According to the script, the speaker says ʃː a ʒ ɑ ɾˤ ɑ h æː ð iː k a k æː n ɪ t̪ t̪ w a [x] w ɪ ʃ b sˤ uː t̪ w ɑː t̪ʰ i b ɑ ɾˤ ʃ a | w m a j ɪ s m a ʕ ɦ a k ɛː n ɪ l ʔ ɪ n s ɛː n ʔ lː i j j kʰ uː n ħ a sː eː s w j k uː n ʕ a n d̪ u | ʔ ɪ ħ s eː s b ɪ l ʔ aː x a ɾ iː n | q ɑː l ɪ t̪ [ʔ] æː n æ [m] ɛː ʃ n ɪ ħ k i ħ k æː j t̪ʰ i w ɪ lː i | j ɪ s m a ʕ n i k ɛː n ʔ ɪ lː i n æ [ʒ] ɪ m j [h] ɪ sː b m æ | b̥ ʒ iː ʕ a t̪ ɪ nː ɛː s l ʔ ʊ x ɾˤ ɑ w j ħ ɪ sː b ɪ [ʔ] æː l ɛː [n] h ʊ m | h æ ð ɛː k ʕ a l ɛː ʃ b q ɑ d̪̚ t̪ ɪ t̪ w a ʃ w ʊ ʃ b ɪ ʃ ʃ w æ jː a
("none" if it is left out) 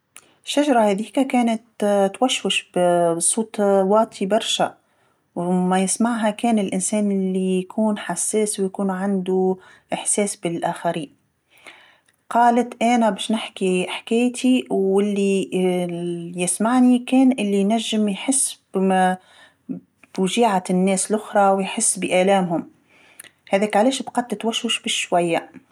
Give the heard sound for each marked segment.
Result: ʃ, ʔ, b, ʒː, ħ, ʔ, m

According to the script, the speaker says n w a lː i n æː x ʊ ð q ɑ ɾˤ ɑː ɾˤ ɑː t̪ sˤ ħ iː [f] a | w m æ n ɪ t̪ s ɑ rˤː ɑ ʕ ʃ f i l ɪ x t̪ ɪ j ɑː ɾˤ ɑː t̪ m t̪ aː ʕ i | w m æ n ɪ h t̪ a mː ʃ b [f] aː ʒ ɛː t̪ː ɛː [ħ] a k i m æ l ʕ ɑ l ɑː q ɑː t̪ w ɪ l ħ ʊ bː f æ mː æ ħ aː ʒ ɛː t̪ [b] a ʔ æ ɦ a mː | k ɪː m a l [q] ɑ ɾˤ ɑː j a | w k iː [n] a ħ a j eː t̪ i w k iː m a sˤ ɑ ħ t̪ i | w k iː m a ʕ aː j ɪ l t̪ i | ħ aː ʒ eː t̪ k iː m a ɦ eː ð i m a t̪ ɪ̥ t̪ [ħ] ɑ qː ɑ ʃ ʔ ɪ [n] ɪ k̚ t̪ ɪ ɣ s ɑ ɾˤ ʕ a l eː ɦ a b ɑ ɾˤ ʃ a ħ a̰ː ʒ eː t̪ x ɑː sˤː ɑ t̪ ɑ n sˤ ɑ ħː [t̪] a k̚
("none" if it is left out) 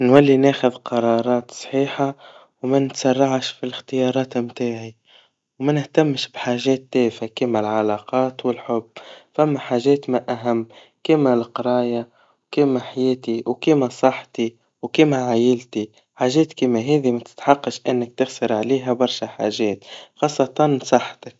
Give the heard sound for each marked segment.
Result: ħ, ħ, f, m, q, m, ħ, nː, t̪

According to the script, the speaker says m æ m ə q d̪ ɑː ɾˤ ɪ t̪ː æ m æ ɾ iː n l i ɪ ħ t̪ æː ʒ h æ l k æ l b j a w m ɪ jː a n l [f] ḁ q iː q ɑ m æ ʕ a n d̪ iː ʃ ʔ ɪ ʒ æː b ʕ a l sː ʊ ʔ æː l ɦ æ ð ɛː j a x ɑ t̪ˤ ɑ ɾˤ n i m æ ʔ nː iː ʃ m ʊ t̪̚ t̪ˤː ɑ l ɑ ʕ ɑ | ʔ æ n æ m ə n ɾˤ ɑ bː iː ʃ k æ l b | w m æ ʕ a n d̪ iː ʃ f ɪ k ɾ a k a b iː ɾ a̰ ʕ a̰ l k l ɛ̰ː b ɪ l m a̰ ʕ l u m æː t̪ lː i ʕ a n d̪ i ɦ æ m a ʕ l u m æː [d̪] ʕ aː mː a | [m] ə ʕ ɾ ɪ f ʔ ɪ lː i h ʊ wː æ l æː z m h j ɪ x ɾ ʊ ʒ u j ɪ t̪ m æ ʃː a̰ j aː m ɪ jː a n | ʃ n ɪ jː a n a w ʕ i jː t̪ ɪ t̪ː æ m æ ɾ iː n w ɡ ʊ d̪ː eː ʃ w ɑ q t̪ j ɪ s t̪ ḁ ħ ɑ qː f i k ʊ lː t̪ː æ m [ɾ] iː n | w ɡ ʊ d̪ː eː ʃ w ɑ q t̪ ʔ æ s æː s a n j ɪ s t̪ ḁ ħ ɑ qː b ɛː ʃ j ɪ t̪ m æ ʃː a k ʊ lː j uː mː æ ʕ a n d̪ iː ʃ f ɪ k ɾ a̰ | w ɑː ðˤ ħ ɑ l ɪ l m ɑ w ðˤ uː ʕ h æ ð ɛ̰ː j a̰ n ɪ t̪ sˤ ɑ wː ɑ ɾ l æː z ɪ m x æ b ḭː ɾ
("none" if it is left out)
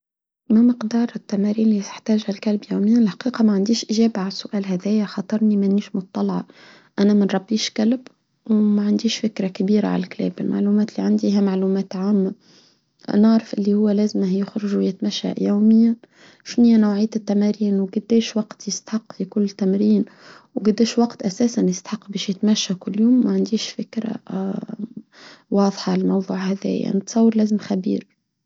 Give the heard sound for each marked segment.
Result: ħ, t̪, n, ɾ

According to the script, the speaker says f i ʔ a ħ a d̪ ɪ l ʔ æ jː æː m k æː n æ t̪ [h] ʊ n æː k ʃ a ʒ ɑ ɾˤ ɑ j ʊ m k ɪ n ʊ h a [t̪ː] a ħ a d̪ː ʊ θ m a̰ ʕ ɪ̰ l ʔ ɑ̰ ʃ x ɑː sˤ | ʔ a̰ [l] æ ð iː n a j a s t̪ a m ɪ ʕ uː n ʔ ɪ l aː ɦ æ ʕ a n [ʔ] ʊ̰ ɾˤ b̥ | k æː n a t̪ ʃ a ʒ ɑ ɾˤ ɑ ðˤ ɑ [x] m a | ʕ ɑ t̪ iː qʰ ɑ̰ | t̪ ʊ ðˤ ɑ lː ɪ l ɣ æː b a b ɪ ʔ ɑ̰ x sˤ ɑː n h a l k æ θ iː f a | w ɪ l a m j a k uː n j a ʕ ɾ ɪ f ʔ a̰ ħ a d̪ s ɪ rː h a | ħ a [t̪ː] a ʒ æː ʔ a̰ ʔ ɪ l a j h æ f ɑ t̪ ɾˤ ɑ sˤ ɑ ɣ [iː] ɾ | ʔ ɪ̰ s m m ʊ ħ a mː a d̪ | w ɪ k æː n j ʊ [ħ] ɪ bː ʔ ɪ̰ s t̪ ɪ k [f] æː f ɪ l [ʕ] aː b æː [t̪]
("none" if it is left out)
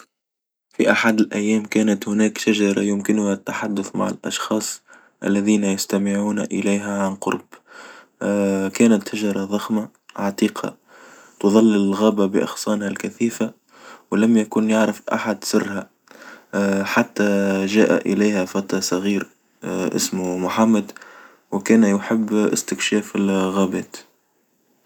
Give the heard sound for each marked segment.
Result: h, t̪ː, lː, q, x, t̪ː, iː, ħ, ʃ, ɣ, t̪

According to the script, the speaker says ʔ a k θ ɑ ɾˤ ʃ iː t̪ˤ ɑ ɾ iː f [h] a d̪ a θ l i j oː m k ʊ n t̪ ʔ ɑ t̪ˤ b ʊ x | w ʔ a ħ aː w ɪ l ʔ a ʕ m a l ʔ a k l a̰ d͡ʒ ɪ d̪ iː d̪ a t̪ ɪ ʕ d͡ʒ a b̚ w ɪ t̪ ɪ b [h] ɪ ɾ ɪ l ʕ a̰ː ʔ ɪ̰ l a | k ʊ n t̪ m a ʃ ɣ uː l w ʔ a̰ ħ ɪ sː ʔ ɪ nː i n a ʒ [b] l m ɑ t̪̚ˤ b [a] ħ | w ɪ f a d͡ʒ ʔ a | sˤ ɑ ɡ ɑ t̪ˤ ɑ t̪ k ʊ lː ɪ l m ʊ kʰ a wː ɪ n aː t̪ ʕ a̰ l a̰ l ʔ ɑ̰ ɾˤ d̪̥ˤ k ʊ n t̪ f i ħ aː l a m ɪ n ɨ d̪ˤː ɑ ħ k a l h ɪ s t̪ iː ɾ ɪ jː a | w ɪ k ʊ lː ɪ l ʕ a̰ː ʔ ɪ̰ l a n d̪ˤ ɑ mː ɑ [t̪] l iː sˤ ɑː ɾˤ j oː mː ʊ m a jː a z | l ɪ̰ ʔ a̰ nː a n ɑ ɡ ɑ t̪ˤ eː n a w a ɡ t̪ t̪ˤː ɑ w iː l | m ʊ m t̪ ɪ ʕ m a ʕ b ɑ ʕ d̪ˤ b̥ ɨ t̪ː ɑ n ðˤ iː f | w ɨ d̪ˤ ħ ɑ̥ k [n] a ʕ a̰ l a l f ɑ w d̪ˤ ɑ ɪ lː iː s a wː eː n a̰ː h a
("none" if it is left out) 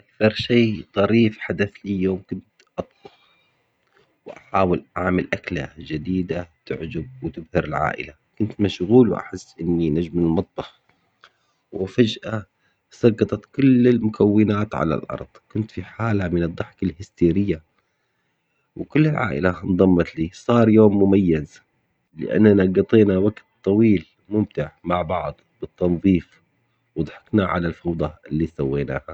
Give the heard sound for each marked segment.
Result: ħ, h, m, ɑ, t̪, n

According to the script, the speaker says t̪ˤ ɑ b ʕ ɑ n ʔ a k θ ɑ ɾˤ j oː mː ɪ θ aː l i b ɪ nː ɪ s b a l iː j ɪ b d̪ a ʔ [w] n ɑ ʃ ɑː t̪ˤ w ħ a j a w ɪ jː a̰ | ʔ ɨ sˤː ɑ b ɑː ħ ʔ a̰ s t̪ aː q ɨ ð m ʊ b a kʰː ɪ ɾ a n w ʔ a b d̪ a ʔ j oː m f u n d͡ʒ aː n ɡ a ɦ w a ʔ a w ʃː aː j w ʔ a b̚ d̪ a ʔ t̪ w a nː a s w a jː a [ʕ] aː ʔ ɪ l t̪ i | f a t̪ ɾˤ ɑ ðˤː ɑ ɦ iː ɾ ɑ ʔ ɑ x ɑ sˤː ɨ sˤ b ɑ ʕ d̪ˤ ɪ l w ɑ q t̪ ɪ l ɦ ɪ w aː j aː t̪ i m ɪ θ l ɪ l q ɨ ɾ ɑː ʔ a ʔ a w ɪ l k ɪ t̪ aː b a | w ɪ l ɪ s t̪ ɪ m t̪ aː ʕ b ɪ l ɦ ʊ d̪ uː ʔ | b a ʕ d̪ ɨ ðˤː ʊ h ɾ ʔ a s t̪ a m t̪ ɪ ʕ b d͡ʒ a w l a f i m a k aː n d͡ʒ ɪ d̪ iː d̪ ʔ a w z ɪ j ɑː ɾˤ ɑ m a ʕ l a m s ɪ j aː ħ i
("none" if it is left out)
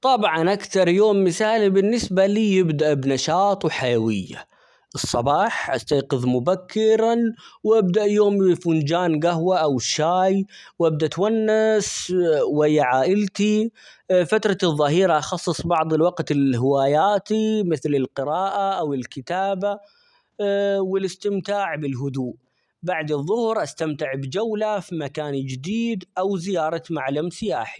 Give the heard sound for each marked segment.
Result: b, ʕ

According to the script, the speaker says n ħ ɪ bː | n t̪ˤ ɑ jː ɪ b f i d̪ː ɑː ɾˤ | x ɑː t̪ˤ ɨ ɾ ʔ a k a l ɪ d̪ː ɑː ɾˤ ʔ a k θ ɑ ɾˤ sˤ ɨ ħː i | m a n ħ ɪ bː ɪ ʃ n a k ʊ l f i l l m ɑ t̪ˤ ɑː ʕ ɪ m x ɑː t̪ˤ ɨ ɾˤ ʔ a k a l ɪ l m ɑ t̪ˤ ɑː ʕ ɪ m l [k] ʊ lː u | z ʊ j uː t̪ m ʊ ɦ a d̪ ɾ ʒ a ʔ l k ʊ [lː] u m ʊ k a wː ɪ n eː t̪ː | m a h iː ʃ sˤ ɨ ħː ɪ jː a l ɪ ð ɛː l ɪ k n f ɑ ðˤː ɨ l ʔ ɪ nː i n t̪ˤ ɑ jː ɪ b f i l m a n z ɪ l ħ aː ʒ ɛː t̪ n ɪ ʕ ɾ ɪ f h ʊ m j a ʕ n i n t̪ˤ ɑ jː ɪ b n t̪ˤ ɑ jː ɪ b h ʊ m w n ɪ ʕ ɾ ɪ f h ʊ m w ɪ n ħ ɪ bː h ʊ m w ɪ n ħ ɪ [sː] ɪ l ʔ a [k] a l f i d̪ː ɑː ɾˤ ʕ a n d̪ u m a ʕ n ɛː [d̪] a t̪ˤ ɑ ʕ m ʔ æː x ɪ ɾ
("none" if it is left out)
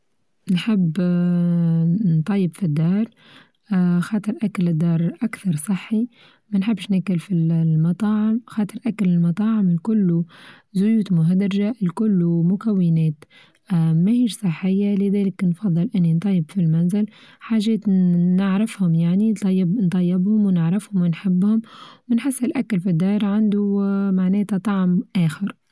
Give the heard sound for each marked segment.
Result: k, lː, sː, k, t̪

